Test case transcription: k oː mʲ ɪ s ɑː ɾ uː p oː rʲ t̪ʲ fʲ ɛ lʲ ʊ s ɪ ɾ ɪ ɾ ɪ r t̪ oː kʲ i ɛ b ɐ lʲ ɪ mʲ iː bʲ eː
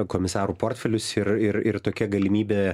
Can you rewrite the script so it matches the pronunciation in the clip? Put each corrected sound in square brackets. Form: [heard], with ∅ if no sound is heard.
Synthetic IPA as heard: k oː mʲ ɪ s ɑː ɾ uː p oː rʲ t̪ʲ fʲ ɛ lʲ ʊ s ɪ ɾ ɪ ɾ ɪ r t̪ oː kʲ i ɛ [ɡ] ɐ lʲ ɪ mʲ iː bʲ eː